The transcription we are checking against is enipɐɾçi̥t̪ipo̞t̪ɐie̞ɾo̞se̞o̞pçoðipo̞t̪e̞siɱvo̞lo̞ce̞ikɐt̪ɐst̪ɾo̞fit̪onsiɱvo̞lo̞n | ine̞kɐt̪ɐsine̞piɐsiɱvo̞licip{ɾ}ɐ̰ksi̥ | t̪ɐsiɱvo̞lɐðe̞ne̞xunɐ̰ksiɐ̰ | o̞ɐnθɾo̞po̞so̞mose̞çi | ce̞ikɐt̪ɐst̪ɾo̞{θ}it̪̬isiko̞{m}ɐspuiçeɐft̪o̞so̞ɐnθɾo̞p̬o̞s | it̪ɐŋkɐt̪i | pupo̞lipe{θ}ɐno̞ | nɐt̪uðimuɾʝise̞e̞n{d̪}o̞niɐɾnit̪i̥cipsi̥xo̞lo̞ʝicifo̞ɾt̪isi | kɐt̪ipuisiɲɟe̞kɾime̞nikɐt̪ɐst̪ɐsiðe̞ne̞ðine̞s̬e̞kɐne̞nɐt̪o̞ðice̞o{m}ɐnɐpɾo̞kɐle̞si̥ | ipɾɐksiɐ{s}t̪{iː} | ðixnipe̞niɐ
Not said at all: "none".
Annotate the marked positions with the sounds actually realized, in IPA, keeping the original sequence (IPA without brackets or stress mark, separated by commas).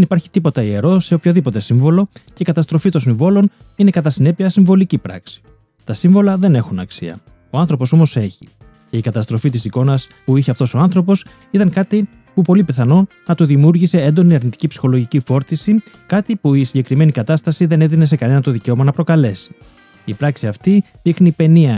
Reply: ɾ, f, n, θ, d̪, m, f, i